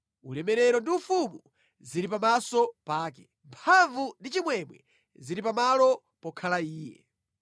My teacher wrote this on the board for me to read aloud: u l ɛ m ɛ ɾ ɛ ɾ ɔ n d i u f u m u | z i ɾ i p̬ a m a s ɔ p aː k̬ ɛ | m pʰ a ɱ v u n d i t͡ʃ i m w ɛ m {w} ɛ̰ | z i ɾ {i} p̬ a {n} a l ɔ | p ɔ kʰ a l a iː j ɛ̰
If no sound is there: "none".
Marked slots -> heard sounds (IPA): w, i, m

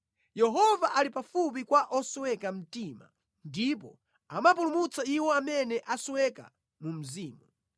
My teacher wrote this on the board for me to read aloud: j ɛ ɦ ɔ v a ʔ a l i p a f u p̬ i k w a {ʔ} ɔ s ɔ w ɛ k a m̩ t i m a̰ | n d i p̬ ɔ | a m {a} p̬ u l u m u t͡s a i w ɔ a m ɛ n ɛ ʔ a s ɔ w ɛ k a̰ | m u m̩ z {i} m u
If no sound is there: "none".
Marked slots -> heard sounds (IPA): ʔ, a, iː

